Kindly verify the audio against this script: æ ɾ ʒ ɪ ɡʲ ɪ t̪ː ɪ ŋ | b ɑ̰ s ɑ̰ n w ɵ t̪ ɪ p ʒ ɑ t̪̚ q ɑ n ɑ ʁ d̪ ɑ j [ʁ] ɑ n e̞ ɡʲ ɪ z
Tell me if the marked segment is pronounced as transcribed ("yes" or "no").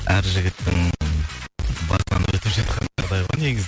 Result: yes